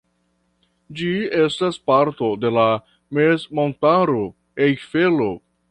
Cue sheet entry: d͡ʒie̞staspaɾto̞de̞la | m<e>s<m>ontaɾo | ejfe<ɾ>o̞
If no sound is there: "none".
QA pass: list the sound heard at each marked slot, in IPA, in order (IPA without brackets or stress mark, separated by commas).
e, m, l